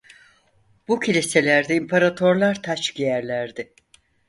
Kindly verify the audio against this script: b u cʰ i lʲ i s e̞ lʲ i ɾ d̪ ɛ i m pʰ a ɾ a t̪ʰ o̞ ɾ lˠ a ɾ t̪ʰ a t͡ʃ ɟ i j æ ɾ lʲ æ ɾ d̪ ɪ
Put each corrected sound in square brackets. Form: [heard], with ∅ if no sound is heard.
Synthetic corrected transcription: b u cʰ i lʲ i s e̞ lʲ [æ] ɾ d̪ ɛ i m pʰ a ɾ a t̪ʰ o̞ ɾ lˠ a ɾ t̪ʰ a t͡ʃ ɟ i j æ ɾ lʲ æ ɾ d̪ ɪ